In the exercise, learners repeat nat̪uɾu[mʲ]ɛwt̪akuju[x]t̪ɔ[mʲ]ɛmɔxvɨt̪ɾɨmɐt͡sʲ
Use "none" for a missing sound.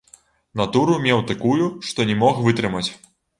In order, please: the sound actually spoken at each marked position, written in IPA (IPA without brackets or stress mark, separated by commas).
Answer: mʲ, ʂ, nʲ